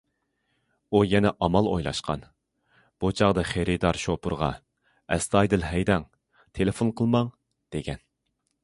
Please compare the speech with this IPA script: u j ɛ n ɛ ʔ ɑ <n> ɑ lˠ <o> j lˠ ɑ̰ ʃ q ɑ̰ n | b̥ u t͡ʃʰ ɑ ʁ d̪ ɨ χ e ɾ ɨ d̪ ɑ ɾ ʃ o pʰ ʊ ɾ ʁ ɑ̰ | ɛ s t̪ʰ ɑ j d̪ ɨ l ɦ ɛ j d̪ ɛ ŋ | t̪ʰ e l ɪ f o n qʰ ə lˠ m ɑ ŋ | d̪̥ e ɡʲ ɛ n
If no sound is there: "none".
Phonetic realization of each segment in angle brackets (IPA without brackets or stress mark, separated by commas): m, o